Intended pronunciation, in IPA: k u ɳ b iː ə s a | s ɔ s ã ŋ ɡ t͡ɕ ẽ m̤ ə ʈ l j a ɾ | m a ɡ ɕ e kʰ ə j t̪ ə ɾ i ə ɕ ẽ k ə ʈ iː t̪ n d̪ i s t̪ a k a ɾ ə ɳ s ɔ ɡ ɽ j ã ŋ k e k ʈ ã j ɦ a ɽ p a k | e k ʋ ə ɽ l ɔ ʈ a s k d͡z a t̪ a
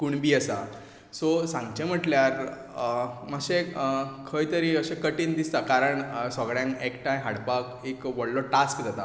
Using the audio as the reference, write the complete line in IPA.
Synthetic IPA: k u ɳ b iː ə s a | s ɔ s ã ŋ ɡ t͡ɕ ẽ m̤ ə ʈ l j a ɾ | m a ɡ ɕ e kʰ ə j t̪ ə ɾ i ə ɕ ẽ k ə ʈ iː n d̪ i s t̪ a k a ɾ ə ɳ s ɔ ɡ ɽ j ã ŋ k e k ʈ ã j ɦ a ɽ p a k | e k ʋ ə ɽ l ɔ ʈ a s k d͡z a t̪ a

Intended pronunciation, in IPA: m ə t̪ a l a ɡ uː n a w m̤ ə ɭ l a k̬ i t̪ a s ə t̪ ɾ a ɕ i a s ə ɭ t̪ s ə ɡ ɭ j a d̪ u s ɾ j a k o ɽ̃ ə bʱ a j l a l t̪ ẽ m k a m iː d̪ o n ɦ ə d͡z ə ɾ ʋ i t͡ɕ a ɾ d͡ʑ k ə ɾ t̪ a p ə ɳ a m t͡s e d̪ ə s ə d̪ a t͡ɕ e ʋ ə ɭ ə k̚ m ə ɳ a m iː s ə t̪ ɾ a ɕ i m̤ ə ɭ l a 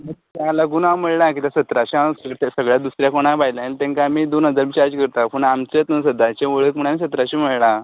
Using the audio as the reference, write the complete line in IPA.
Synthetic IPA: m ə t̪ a l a ɡ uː n a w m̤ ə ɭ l a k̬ i t̪ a s ə t̪ ɾ a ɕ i a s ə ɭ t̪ s ə ɡ ɭ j a d̪ u s ɾ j a k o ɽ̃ a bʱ a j l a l t̪ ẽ ŋ k a m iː d̪ o n ɦ ə d͡z a ɾ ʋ i t͡ɕ a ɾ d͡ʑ k ə ɾ t̪ a p ə ɳ a m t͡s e t̪ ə s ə d̪ a t͡ɕ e ʋ ə ɭ ə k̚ m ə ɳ a m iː s ə t̪ ɾ a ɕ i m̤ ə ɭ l a

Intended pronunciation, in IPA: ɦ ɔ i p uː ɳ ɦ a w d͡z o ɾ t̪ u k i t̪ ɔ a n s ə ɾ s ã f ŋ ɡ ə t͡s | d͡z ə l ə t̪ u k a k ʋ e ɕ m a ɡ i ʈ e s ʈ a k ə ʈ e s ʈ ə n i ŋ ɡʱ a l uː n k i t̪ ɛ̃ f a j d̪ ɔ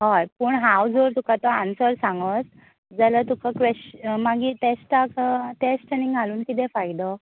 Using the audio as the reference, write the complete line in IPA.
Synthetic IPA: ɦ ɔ j p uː ɳ ɦ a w d͡z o ɾ t̪ u k a t̪ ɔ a n s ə ɾ s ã ŋ ɡ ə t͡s | d͡z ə l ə t̪ u k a k ʋ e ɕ m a ɡ i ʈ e s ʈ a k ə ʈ e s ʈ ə n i ŋ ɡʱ a l uː n k i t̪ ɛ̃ f a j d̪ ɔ

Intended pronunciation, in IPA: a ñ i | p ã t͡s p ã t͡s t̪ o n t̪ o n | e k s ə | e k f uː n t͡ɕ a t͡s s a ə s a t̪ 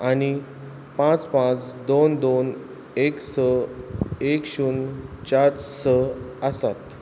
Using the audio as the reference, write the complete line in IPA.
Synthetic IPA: a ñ i | p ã t͡s p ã t͡s d̪ o n d̪ o n | e k s ə | e k ɕ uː n t͡ɕ a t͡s s ə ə s a t̪

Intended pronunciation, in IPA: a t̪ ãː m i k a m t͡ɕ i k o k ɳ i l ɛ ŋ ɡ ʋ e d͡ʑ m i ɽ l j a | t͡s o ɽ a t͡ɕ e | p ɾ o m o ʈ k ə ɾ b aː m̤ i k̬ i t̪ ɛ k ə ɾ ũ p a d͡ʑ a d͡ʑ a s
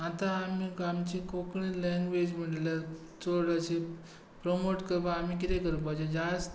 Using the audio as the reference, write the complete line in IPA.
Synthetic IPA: a t̪ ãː m i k a m t͡ɕ i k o k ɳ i l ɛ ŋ ɡ ʋ e d͡ʑ m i ɽ l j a | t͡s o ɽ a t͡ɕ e | p ɾ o m o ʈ k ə ɾ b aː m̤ i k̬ i t̪ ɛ k ə ɾ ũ p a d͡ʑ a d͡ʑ a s

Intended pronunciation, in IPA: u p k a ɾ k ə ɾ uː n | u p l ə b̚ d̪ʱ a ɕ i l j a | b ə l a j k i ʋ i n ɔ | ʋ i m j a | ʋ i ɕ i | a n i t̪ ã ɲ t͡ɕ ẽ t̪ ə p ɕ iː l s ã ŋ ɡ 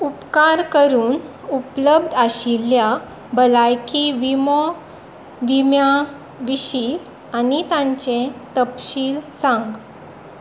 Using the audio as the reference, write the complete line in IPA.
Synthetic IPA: u p k a ɾ k ə ɾ uː n | u p l ə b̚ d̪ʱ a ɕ i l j a | b ə l a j k i ʋ i m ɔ | ʋ i m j a | ʋ i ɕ i | a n i t̪ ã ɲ t͡ɕ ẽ t̪ ə p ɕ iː l s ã ŋ ɡ

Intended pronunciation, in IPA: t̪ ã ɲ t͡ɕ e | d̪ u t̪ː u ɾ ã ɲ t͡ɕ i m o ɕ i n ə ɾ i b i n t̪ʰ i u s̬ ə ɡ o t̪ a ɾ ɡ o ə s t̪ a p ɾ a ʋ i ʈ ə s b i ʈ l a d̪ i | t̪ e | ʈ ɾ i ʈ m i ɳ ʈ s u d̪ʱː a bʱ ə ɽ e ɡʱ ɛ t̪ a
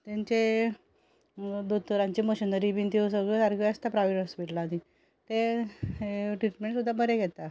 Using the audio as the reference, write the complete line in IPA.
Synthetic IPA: t̪ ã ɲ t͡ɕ e | d̪ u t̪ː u ɾ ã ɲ t͡ɕ i m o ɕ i n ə ɾ i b i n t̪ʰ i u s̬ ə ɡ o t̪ a ɾ ɡ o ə s t̪ a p ɾ a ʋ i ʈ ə s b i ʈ l a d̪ i | t̪ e | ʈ ɾ i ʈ m e ɳ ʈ s u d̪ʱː a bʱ ə ɾ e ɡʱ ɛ t̪ a

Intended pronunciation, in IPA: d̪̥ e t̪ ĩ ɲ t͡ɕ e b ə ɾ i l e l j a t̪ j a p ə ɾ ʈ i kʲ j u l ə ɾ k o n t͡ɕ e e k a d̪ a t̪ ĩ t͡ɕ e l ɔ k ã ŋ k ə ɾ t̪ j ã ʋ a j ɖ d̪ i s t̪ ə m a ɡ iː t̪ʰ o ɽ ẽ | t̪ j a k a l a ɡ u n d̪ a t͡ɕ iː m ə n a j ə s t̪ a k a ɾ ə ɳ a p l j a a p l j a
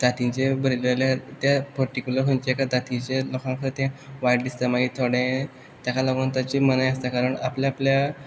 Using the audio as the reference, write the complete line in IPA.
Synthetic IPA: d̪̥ a t̪ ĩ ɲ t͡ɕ e b ə ɾ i l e l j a t̪ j a p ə ɾ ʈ i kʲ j u l ə ɾ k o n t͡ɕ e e k a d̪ a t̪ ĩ t͡ɕ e l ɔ k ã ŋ k ə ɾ t̪ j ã ʋ a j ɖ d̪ i s t̪ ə m a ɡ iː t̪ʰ o ɽ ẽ | t̪ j a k a l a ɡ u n t̪ a t͡ɕ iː m ə n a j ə s t̪ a k a ɾ ə ɳ a p l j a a p l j a

